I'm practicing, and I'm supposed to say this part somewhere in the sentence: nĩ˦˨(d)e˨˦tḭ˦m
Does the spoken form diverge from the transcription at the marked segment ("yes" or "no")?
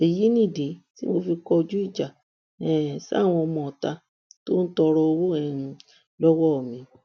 no